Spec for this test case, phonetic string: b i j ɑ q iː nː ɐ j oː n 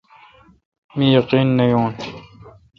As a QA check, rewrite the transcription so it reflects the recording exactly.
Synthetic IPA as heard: m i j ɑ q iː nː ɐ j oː n

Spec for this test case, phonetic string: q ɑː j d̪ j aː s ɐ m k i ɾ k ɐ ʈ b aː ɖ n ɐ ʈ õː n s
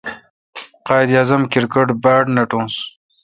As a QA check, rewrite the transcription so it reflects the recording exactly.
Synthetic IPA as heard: q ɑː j d̪ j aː z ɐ m k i ɾ k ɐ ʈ b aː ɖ n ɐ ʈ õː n s

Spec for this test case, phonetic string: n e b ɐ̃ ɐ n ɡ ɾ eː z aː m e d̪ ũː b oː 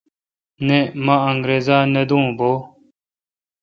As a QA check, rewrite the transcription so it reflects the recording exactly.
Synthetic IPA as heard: n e m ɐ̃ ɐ ŋ ɡ ɾ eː z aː n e d̪ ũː b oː

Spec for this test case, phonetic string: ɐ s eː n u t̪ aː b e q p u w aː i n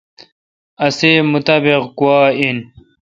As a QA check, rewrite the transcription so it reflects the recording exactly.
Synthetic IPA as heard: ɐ s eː m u t̪ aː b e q k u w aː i n

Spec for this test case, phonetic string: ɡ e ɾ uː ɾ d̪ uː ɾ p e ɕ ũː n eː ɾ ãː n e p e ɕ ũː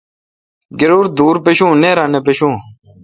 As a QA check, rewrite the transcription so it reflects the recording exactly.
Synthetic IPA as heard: ɡ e ɾ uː ɾ d̪ uː ɾ p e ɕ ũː n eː ɾ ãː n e p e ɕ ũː

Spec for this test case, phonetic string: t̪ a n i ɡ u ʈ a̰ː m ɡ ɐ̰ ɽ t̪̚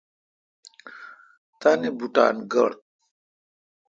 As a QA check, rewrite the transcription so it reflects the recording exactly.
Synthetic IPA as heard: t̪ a n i b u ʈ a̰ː n ɡ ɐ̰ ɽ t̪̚

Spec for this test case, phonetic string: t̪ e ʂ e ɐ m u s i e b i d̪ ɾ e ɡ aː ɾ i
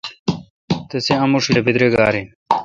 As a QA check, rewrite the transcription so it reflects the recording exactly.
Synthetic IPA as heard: t̪ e s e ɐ m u ʂ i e b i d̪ ɾ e ɡ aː ɾ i

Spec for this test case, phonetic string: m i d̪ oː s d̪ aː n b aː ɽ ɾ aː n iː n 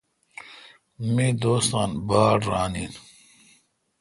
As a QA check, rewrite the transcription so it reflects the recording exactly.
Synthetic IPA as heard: m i d̪ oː s t̪ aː n b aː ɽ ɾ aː n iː n

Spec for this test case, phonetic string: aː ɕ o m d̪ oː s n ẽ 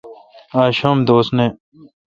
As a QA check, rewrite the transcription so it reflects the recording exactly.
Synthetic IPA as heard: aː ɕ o m d̪ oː s n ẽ

